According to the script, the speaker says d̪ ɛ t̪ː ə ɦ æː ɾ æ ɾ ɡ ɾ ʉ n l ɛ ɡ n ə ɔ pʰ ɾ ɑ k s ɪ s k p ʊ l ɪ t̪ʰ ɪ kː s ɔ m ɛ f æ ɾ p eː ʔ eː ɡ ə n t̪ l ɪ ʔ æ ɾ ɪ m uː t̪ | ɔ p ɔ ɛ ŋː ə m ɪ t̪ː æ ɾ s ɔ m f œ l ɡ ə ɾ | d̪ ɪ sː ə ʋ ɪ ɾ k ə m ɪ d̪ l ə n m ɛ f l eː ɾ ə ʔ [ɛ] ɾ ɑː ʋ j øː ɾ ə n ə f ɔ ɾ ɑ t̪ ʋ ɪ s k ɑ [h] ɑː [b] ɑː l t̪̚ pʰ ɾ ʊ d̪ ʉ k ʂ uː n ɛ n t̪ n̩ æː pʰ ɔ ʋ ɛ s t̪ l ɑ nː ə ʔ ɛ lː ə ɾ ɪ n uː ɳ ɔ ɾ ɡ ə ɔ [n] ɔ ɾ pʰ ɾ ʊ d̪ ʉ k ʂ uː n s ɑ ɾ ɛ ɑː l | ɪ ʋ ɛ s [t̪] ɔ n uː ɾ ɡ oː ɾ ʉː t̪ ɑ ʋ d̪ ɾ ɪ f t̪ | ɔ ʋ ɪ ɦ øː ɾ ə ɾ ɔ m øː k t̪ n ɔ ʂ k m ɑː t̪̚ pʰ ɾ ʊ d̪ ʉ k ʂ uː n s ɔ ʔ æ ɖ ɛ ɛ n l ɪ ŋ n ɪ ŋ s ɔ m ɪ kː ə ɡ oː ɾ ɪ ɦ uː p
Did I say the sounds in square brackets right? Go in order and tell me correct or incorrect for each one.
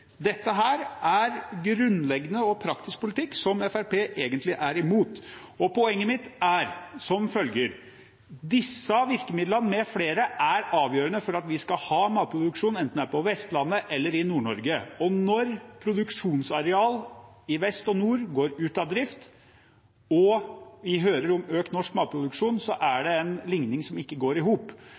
incorrect: æ, correct, incorrect: m, correct, correct

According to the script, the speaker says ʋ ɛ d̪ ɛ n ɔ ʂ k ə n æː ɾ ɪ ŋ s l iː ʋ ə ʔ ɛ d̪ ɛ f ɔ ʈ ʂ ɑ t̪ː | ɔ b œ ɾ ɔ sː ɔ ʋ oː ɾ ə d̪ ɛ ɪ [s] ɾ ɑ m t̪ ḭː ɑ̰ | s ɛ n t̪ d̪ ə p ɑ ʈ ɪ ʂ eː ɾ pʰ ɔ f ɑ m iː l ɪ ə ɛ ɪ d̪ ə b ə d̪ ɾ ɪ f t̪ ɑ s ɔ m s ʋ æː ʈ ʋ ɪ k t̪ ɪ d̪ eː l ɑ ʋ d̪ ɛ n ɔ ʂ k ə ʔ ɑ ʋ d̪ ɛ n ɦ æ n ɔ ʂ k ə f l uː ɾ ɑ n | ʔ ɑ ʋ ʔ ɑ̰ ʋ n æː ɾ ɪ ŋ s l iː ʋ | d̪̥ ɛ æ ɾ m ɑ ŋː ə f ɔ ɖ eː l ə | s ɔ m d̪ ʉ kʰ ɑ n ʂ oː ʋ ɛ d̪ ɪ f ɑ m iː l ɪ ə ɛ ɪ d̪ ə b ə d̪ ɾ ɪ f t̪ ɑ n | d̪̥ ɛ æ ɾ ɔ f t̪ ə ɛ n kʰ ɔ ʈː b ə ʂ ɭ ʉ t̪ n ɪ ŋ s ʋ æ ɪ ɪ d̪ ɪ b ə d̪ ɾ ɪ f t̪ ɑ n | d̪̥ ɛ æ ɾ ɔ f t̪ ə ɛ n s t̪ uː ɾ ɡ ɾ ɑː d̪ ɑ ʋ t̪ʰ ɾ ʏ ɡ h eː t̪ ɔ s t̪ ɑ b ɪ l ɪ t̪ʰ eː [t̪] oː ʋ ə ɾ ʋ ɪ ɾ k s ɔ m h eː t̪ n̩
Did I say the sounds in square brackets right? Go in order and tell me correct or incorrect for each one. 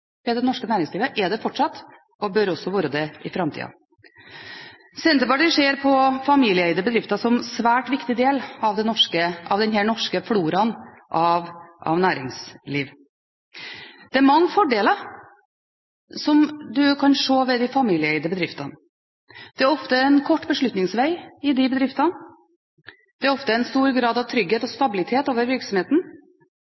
incorrect: f, correct

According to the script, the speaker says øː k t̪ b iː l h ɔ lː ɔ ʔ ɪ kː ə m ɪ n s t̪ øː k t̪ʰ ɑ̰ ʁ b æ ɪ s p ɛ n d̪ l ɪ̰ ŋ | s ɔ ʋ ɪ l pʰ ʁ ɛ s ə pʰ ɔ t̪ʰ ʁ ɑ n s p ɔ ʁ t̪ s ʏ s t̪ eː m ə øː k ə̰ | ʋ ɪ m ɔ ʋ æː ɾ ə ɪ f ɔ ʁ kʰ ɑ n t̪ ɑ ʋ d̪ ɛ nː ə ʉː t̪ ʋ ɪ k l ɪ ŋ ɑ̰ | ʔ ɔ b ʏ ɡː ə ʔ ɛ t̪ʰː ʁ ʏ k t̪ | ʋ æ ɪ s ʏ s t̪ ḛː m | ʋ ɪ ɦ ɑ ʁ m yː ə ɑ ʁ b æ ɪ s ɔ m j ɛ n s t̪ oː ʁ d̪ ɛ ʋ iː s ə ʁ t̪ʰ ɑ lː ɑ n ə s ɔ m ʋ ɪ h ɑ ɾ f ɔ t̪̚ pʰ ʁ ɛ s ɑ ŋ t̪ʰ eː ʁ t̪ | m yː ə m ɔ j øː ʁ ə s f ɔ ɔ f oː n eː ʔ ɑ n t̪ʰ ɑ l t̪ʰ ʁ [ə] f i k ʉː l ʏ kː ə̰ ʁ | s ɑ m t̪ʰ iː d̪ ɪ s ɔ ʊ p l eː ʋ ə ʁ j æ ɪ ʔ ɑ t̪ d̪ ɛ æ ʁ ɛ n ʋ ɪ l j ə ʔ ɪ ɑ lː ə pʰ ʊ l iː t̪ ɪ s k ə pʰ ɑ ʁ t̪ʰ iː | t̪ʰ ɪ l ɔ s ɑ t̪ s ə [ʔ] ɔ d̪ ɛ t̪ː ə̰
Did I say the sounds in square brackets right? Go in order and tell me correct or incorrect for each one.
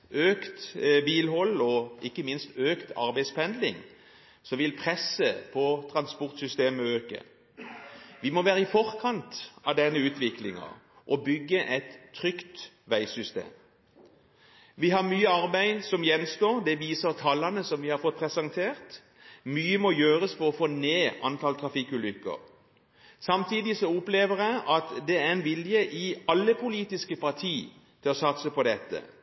incorrect: ɑ, incorrect: p

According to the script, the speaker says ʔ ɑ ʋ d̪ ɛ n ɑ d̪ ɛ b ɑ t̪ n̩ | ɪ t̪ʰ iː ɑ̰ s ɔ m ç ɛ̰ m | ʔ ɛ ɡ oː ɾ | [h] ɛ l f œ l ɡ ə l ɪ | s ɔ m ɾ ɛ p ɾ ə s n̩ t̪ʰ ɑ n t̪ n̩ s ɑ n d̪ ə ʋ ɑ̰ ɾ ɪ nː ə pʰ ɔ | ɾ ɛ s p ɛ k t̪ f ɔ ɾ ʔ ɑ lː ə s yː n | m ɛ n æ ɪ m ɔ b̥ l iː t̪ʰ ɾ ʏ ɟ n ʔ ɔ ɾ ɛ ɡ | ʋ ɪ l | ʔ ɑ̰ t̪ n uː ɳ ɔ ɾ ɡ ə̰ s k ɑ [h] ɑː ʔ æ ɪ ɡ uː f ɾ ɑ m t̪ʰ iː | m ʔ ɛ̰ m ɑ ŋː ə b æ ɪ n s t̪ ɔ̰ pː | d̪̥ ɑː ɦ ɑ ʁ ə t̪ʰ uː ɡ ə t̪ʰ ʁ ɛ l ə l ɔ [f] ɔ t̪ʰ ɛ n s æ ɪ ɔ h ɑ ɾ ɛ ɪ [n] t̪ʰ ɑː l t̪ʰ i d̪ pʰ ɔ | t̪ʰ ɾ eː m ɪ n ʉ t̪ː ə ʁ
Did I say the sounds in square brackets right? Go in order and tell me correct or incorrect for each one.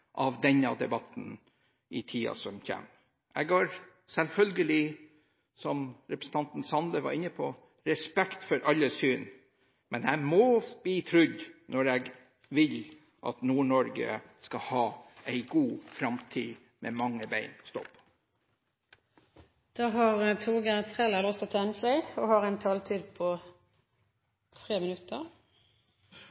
incorrect: s, correct, incorrect: s, correct

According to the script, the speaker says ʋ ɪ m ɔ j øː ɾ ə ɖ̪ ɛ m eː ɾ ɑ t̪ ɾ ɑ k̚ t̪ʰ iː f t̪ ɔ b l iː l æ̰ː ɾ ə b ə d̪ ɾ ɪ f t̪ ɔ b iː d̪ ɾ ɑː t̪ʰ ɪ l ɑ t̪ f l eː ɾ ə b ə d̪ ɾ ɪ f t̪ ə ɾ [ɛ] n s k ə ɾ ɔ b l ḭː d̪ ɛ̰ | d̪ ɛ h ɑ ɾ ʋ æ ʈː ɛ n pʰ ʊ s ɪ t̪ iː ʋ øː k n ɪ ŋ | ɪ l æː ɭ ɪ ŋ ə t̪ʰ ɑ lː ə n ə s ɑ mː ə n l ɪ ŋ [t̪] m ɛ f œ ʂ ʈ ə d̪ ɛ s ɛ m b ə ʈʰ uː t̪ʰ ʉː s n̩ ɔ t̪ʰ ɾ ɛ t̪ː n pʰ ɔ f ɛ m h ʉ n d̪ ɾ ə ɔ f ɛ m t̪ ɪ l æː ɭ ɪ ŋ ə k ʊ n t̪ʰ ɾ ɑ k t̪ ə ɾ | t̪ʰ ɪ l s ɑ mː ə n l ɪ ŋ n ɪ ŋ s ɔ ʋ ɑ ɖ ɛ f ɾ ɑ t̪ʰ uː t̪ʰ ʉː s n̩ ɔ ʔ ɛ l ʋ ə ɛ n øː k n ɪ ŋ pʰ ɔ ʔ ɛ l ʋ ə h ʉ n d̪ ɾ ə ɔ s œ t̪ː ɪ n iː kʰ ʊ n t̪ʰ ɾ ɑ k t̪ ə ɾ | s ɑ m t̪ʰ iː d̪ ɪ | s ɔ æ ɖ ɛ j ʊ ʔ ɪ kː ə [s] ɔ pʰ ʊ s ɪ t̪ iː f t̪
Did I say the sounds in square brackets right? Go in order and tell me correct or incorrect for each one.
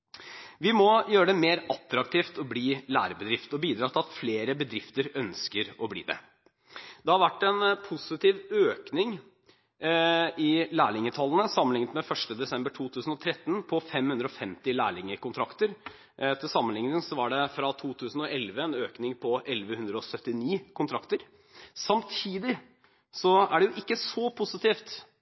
incorrect: œ, correct, correct

